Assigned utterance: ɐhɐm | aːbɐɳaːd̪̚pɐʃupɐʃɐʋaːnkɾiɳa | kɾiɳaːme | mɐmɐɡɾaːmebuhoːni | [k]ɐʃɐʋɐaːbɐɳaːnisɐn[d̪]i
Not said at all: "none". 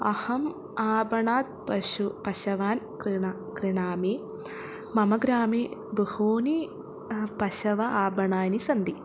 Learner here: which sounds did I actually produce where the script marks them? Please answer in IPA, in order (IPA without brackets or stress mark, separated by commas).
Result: p, d̪